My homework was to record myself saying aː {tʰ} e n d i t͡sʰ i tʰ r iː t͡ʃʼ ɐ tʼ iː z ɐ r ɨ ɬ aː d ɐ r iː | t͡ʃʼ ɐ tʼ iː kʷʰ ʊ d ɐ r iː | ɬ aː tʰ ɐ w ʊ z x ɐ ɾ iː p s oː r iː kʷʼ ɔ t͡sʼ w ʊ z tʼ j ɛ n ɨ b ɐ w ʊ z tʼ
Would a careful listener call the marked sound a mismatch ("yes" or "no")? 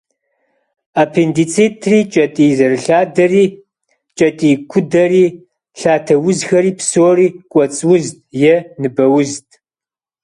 yes